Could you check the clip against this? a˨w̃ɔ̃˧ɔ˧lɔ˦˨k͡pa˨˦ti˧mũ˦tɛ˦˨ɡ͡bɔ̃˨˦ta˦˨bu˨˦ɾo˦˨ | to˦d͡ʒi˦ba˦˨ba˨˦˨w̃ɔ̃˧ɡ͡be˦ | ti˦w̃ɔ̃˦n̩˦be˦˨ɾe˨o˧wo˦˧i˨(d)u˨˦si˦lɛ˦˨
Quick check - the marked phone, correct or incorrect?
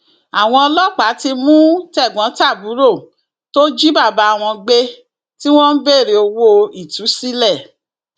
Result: incorrect